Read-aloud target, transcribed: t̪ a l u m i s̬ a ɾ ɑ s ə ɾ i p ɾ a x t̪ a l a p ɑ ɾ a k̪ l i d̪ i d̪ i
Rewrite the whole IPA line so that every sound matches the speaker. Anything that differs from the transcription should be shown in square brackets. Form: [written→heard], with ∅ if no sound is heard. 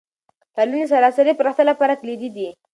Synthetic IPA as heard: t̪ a l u [m→n] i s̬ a ɾ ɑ s [ə→a] ɾ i p ɾ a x t̪ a l a p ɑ ɾ a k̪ l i d̪ i d̪ i